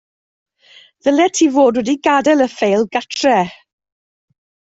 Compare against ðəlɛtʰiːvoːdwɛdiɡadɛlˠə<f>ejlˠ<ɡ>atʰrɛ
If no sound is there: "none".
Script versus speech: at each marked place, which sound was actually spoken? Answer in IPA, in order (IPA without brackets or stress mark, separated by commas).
f, ɡ